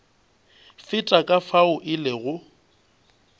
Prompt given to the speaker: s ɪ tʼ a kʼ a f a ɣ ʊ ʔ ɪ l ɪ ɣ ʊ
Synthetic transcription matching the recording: f ɪ tʼ a kʼ a f a ʊ ʔ ɪ l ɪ ɣ ʊ